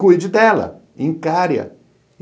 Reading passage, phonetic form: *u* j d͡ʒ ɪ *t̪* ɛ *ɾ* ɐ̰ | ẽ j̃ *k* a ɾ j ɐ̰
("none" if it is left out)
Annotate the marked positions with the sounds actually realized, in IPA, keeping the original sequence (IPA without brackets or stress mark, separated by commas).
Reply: u, d̪, l, k